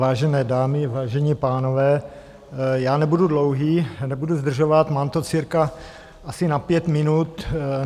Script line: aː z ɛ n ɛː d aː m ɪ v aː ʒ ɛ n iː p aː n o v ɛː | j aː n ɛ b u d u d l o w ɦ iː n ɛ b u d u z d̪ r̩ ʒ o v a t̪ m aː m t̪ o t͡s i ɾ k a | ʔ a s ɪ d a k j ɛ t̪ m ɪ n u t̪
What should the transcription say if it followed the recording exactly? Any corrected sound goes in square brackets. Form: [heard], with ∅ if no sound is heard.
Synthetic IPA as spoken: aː [ʒ] ɛ n ɛː d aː m ɪ v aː ʒ ɛ [ɲ] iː p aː n o v ɛː | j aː n ɛ b u d u d l o w ɦ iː n ɛ b u d u z d̪ r̩ ʒ o v a t̪ m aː m t̪ o t͡s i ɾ k a | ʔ a s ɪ [n] a [p] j ɛ t̪ m ɪ n u t̪